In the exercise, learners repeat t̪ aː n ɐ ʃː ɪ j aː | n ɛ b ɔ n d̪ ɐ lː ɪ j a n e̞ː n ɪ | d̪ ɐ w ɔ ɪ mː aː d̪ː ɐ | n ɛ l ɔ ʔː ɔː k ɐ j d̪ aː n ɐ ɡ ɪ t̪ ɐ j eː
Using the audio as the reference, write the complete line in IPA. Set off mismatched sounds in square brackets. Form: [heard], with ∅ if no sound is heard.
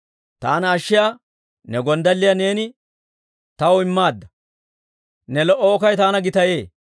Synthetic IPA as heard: t̪ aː n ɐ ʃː ɪ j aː | n ɛ [ɡ] ɔ n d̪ ɐ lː ɪ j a n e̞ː n ɪ | [t̪] ɐ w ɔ ɪ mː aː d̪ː ɐ | n ɛ l ɔ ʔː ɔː k ɐ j [t̪] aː n ɐ ɡ ɪ t̪ ɐ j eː